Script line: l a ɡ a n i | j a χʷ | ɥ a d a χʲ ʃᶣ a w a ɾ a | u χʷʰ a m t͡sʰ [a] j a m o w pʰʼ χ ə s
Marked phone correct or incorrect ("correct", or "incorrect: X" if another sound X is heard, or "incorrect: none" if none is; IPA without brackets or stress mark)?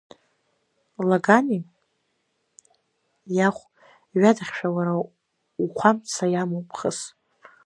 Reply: correct